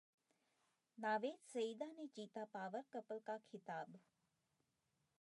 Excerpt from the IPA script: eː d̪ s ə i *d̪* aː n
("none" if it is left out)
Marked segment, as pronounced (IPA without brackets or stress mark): d̪